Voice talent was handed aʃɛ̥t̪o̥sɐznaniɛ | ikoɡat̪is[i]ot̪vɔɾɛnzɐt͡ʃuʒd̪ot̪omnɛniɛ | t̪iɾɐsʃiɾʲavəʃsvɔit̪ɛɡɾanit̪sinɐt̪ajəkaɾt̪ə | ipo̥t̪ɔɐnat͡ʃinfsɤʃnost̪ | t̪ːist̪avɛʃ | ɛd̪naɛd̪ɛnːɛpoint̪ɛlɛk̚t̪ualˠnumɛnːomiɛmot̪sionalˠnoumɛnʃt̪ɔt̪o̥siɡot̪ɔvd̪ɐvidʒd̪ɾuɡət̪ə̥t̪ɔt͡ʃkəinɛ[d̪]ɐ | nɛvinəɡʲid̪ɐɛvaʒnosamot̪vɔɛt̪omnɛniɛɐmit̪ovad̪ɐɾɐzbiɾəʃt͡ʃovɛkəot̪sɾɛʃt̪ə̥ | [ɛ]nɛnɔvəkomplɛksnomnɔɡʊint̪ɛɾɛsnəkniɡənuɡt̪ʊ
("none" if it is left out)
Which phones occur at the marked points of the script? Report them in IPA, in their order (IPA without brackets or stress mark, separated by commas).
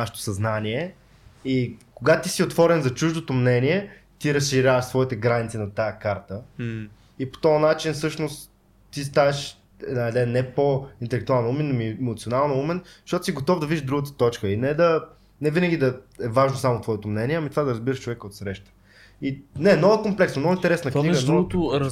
i, d̪, i